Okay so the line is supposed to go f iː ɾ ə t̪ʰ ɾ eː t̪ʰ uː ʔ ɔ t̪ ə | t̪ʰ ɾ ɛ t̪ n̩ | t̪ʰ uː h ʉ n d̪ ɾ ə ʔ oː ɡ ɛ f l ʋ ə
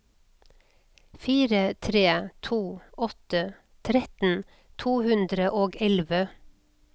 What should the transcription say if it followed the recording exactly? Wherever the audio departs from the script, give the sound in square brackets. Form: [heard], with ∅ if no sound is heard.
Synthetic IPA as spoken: f iː ɾ ə t̪ʰ ɾ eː t̪ʰ uː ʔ ɔ t̪ ə | t̪ʰ ɾ ɛ t̪ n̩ | t̪ʰ uː h ʉ n d̪ ɾ ə ʔ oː ɡ ɛ [∅] l ʋ ə